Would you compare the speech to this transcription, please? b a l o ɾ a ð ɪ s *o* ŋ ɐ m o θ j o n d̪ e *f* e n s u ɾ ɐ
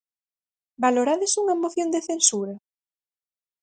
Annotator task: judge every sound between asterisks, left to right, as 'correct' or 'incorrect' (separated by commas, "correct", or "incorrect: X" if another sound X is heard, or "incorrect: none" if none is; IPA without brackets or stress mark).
incorrect: u, incorrect: θ